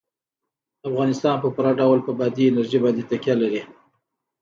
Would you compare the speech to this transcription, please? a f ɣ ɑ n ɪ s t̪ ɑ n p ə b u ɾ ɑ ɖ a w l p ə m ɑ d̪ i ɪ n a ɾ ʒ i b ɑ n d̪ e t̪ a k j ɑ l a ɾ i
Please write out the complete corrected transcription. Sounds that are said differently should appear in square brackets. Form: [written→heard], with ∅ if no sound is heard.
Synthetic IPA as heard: a f ɣ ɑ n ɪ s t̪ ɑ n p ə [b→p] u ɾ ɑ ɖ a w l p ə [m→b] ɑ d̪ i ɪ n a ɾ ʒ i b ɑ n d̪ e t̪ a k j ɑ l a ɾ i